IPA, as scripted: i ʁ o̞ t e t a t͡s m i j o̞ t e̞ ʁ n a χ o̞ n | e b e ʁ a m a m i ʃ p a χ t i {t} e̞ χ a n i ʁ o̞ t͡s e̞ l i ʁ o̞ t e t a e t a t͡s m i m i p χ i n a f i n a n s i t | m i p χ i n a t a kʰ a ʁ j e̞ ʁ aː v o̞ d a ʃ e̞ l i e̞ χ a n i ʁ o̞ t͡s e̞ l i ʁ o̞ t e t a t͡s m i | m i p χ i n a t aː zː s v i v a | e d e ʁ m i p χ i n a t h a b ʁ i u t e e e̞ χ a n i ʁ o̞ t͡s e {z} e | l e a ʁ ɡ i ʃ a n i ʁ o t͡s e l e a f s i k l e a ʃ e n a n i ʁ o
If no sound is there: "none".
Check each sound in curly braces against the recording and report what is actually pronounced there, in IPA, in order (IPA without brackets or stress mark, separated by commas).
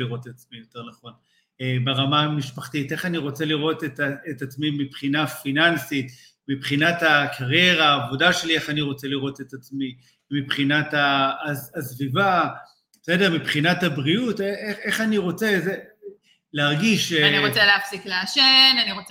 t, z